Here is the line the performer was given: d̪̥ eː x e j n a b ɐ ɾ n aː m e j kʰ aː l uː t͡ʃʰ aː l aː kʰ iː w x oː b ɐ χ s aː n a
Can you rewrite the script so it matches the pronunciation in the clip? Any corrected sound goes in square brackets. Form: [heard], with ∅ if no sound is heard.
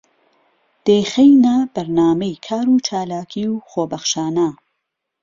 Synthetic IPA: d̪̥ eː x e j n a b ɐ ɾ n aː m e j kʰ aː [ɾ] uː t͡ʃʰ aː l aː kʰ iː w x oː b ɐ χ [ʃ] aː n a